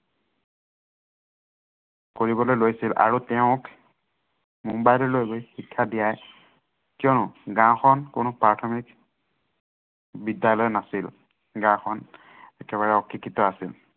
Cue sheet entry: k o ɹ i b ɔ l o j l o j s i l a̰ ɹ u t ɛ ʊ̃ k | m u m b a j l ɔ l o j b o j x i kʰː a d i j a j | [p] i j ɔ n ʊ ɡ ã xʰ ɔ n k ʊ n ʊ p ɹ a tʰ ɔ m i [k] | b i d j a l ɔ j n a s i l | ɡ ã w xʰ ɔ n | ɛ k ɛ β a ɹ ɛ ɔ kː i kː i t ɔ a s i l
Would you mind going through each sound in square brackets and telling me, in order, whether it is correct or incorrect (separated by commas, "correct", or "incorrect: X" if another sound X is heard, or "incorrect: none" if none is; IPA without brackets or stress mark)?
incorrect: k, correct